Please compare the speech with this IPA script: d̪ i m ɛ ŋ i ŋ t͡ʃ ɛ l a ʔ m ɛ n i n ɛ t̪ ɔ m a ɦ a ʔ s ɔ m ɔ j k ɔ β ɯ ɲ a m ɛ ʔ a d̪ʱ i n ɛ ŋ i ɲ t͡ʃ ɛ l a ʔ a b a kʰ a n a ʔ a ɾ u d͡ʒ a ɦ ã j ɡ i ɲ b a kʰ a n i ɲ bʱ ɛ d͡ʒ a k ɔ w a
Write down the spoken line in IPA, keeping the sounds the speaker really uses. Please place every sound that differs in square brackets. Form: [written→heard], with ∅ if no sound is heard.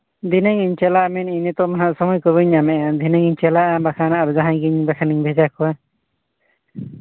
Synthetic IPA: d̪ i [m→n] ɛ ŋ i [ŋ→ɲ] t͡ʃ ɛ l a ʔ m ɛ n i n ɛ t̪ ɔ m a ɦ a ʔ s ɔ m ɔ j k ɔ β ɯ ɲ a m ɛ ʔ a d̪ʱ i n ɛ ŋ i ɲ t͡ʃ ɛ l a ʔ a b a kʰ a n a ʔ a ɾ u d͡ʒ a ɦ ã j ɡ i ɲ b a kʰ a n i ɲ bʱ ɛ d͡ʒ a k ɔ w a